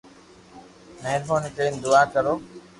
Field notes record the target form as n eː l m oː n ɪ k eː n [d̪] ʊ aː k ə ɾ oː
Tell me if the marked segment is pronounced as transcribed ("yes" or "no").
yes